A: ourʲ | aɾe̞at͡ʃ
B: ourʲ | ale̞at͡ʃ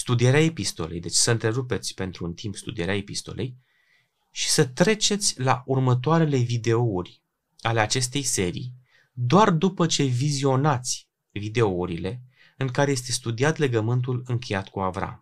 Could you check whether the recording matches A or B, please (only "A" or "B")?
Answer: B